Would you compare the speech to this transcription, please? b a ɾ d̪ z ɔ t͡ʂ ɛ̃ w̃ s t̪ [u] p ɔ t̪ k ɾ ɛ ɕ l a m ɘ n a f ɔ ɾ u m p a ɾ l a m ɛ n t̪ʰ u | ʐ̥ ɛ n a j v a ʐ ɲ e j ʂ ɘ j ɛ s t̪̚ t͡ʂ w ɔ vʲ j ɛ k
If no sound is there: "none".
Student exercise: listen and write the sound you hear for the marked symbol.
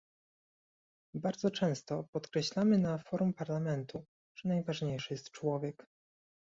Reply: ɔ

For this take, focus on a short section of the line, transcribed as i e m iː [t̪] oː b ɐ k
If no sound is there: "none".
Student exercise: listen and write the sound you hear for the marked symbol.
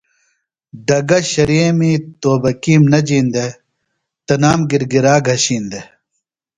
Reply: t̪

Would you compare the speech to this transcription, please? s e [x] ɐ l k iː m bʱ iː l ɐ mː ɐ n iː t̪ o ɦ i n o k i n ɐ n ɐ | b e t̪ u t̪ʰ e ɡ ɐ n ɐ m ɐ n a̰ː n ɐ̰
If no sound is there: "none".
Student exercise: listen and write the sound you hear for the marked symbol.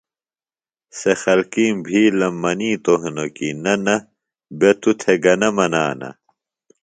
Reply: x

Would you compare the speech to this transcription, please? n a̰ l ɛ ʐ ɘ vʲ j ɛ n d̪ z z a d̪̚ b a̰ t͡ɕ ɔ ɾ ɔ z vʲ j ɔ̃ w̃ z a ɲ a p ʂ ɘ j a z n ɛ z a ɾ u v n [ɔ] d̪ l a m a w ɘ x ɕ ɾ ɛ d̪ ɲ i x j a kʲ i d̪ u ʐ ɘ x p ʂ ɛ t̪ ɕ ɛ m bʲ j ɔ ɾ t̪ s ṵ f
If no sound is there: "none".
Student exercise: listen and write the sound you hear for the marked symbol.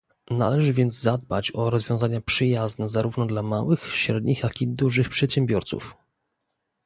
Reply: ɔ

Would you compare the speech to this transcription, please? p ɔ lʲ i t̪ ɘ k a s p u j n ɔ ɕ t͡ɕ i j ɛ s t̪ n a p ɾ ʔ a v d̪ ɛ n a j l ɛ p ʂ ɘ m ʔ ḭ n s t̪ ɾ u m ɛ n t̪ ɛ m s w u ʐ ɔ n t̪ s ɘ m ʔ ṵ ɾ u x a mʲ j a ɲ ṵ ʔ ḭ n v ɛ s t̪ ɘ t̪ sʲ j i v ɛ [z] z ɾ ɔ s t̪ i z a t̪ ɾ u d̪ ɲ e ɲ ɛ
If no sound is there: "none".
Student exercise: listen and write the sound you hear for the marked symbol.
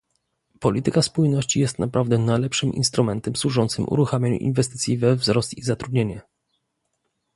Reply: v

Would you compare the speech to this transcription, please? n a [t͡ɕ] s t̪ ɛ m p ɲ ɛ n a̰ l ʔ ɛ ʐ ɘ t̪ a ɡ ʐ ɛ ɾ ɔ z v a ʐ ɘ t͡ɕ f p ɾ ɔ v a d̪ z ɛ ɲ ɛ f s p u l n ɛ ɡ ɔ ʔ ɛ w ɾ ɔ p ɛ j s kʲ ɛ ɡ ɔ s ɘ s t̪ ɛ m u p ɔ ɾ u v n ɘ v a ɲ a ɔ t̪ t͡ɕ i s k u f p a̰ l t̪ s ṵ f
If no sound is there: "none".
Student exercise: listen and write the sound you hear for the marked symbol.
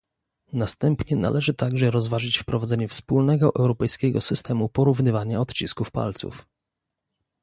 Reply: none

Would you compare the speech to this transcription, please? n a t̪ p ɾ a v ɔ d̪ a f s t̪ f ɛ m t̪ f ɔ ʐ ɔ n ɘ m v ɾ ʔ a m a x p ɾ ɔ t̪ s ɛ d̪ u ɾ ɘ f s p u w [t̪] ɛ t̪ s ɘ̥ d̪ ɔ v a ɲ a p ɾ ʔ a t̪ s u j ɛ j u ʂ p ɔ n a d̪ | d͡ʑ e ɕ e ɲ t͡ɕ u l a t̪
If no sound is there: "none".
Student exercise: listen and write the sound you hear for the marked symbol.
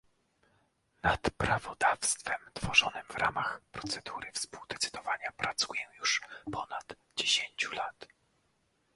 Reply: d̪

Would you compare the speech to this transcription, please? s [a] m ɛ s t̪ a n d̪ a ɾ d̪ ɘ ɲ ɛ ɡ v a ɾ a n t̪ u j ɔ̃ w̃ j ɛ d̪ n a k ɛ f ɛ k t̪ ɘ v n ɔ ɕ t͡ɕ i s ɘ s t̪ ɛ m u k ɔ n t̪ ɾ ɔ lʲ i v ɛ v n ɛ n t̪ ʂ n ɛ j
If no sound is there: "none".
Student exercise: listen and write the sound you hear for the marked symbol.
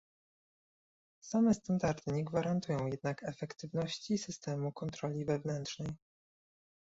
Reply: a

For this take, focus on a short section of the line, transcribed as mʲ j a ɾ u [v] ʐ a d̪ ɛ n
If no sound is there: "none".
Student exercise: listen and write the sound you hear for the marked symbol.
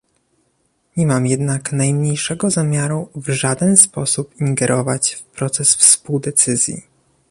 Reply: v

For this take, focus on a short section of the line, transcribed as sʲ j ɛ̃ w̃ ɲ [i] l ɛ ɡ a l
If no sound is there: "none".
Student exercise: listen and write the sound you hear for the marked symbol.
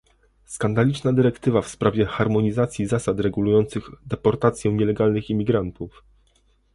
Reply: ɛ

